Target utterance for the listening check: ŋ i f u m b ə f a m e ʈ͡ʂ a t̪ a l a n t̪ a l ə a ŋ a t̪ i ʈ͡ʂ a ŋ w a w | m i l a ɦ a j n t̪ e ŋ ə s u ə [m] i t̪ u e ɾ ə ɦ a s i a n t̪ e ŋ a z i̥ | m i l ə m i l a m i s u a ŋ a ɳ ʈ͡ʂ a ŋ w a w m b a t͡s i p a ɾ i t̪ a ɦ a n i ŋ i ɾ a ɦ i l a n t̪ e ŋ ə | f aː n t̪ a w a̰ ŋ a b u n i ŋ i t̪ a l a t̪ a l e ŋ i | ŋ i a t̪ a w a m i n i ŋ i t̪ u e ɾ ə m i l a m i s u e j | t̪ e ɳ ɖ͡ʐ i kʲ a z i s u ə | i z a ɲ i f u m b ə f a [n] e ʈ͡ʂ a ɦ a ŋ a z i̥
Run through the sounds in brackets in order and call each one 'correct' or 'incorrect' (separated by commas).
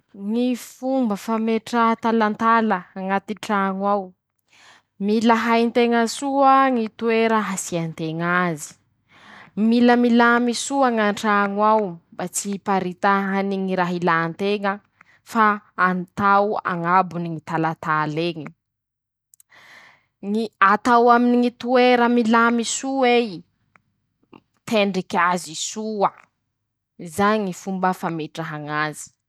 incorrect, incorrect